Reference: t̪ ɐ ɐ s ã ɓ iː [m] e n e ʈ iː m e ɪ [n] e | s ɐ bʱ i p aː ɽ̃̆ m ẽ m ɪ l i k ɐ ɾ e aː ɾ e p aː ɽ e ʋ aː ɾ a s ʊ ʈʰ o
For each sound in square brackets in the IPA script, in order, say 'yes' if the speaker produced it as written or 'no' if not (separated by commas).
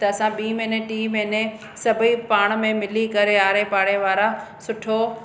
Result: yes, yes